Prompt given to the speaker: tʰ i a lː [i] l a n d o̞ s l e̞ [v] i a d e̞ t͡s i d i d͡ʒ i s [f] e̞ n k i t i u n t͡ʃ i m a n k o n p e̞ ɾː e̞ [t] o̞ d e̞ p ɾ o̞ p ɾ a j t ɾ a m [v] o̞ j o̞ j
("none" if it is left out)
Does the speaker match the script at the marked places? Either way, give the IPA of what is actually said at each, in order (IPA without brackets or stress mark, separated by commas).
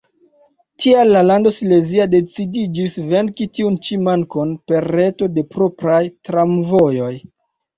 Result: a, z, v, t, v